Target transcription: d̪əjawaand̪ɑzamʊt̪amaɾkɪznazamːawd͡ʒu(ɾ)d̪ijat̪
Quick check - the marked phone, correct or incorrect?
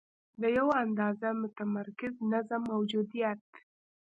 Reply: incorrect